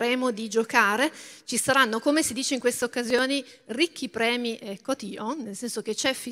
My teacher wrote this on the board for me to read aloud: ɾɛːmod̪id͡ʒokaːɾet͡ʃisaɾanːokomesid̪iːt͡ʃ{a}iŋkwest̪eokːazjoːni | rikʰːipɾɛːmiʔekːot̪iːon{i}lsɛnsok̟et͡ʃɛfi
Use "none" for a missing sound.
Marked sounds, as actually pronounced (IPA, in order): e, e

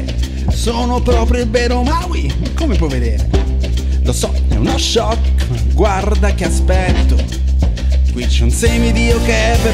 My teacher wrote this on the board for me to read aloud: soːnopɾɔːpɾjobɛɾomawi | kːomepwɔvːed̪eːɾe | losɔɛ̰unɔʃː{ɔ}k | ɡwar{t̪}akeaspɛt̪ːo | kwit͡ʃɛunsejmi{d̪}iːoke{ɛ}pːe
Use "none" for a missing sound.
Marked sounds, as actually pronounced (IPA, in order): ɔ, d̪, d̪, ɛ

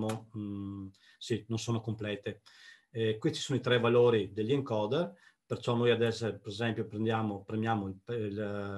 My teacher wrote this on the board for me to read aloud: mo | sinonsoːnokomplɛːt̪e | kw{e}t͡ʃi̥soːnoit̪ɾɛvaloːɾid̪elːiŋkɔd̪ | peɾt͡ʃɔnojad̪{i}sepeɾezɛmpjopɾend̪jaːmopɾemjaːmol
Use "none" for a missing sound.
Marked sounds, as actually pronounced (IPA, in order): i, ɛ

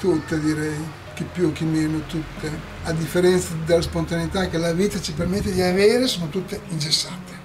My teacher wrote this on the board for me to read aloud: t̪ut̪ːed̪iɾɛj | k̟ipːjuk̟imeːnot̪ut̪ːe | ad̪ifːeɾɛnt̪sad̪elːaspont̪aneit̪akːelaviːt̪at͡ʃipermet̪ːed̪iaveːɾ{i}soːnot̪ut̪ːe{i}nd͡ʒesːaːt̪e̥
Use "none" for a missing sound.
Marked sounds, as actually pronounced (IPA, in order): e, i

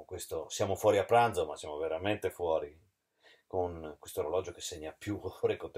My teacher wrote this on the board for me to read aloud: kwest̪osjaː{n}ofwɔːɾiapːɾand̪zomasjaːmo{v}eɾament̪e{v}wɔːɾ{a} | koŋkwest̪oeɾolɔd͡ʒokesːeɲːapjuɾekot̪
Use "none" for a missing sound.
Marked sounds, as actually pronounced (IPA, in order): m, v, f, i

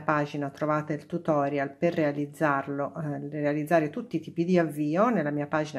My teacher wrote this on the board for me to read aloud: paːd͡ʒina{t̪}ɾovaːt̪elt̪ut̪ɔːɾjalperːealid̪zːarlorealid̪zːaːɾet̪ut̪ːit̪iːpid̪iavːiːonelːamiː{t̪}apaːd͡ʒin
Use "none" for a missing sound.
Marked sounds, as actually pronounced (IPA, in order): t̪, none

